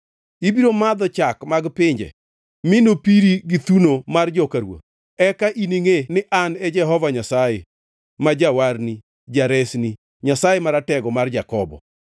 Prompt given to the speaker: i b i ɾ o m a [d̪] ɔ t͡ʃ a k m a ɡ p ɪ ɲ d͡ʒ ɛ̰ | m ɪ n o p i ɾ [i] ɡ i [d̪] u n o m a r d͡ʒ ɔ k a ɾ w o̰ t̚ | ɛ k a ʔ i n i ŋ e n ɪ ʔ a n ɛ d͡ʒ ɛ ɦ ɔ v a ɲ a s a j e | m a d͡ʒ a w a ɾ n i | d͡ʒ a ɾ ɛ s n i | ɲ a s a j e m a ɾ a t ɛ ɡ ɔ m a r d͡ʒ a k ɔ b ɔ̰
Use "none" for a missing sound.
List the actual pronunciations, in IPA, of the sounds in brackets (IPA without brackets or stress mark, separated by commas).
d̪, i, t̪